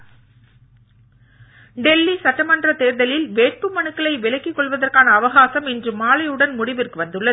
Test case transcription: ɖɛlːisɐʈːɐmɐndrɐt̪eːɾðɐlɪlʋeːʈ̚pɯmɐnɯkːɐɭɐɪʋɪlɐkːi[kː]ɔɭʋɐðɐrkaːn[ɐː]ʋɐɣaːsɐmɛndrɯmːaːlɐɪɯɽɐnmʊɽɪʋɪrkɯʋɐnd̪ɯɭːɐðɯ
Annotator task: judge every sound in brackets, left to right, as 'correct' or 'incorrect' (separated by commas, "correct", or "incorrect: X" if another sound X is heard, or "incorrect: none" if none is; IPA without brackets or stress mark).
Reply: correct, correct